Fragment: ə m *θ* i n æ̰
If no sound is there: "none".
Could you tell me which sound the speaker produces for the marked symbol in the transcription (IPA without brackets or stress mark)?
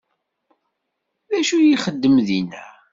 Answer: ð